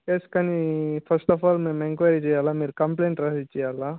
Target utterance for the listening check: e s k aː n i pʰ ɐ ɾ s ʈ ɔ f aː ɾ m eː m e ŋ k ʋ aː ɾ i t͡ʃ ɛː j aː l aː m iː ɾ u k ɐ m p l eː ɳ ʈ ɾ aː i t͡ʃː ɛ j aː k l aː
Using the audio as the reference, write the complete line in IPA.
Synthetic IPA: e s k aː n i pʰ ɐ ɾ s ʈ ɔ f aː l m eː m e ŋ k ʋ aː ɾ i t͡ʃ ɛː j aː l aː m iː ɾ u k ɐ m p l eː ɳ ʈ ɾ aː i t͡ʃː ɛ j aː l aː